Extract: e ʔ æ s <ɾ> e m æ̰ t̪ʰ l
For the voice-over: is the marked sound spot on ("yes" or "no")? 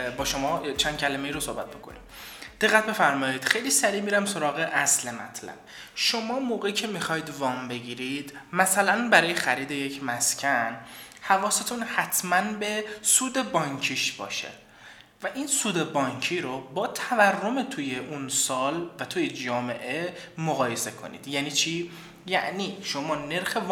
no